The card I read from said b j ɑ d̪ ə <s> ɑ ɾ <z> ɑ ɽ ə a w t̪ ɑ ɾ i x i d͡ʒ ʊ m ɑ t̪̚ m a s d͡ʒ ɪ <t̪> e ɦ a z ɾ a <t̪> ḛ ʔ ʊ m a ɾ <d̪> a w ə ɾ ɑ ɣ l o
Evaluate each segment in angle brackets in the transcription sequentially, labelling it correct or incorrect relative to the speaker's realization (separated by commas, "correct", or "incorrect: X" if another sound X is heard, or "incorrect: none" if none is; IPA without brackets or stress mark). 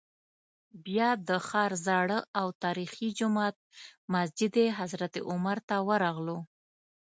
incorrect: x, correct, incorrect: d̪, correct, incorrect: t̪